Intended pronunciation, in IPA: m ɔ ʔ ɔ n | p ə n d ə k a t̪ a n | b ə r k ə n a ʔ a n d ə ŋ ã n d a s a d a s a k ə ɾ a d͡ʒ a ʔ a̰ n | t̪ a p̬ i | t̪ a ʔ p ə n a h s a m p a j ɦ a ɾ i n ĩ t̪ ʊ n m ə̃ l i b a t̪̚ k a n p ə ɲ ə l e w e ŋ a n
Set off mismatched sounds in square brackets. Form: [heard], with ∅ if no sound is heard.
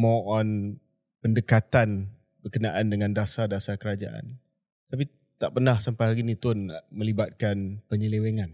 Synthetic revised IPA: m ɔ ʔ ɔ n | p ə n d ə k a t̪ a n | b ə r k ə n a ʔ a n d ə ŋ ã n d a s a d a s a k ə ɾ a d͡ʒ a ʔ a̰ n | t̪ a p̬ i | t̪ a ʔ p ə n a h s a m p a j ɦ a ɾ i n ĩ t̪ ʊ n m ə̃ l i b a t̪̚ k a n p ə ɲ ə l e w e ŋ a n